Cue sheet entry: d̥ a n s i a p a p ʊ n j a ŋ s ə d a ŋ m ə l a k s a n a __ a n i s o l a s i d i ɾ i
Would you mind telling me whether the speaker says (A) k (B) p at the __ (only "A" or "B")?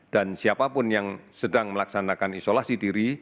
A